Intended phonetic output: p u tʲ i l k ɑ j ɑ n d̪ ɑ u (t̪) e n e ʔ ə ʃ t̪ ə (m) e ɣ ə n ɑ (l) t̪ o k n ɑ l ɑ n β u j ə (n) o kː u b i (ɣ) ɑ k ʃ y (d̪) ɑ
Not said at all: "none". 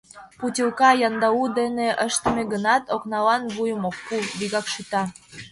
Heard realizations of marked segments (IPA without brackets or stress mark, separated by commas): d̪, m, none, m, ɣ, t̪